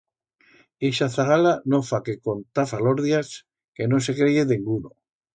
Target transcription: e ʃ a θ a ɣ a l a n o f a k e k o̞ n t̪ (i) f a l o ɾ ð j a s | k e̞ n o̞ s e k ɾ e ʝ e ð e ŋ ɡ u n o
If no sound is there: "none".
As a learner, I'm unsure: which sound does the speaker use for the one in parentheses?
a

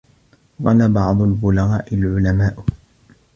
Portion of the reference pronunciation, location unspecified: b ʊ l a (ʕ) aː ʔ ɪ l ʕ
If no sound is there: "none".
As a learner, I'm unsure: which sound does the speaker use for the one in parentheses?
ɣ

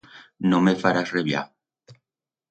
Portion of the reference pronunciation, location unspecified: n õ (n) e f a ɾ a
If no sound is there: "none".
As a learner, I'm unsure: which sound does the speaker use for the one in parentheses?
m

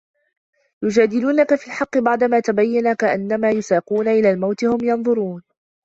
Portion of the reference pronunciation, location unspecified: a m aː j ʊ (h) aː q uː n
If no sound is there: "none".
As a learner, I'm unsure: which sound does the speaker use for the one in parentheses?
s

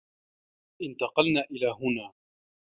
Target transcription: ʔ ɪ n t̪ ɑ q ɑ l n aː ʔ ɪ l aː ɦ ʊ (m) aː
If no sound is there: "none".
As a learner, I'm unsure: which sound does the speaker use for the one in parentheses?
n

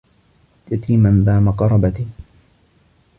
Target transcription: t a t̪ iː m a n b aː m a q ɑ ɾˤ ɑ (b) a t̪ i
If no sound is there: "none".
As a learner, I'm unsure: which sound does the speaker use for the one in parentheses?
b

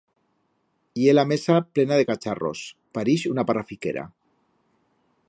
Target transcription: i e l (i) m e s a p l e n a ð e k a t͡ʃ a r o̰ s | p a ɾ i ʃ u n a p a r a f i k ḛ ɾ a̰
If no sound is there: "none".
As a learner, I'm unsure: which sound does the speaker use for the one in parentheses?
a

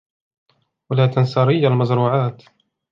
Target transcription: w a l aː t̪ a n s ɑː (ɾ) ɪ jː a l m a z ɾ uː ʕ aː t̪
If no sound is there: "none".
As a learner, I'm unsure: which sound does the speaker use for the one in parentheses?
ɾ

